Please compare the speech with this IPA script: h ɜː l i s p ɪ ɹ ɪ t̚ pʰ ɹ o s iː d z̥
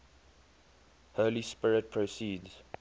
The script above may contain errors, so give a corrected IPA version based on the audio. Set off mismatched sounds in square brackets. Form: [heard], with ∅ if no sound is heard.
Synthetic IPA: h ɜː l i s p ɪ ɹ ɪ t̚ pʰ ɹ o s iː d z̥